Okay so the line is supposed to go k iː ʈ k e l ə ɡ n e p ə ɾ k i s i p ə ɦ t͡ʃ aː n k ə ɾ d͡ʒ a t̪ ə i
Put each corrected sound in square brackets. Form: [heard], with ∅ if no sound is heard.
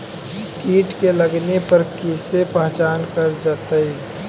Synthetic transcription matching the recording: k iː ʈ k e l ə ɡ n e p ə ɾ k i s [e] p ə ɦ t͡ʃ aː n k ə ɾ d͡ʒ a t̪ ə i